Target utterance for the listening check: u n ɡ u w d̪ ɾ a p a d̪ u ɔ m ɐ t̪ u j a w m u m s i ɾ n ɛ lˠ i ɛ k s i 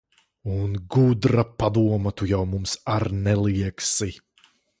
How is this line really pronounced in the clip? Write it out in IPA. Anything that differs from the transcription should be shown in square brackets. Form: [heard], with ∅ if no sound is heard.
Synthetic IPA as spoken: u n ɡ u [∅] d̪ ɾ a p a d̪ u ɔ m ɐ t̪ u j a w m u m s [a] ɾ n ɛ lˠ i ɛ k s i